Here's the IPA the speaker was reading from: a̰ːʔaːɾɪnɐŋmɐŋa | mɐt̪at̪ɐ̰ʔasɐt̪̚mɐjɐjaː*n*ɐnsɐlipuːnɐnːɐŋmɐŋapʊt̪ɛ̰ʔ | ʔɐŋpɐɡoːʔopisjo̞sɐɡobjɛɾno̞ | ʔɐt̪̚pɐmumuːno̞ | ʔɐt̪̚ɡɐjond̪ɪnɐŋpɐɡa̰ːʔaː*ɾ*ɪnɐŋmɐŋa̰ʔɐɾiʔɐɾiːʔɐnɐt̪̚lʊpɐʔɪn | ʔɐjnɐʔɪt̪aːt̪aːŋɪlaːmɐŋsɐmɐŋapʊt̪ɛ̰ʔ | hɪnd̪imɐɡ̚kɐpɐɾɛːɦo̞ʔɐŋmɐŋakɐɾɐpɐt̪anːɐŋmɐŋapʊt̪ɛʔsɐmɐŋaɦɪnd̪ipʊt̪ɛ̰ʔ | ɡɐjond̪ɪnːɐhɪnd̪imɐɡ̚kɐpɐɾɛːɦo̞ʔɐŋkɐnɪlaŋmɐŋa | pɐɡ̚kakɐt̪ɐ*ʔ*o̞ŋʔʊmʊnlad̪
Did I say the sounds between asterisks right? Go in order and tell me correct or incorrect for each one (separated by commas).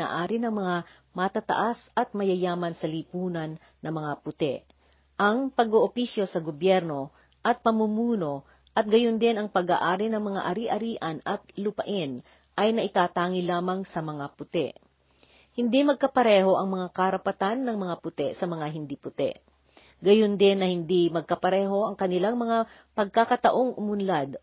incorrect, correct, correct